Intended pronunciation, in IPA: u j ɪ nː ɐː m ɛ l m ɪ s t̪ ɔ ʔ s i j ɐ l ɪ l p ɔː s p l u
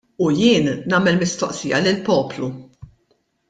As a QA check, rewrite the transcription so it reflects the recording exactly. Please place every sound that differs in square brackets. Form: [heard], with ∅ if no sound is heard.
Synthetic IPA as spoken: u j [ɪː] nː ɐː m ɛ l m ɪ s t̪ ɔ ʔ s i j ɐ l ɪ l p ɔː [∅] p l u